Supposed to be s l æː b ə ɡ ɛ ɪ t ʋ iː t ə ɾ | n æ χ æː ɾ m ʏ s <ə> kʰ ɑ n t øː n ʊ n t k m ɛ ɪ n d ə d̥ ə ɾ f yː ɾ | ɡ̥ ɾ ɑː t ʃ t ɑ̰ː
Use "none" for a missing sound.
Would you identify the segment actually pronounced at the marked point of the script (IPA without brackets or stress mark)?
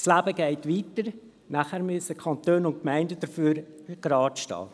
ə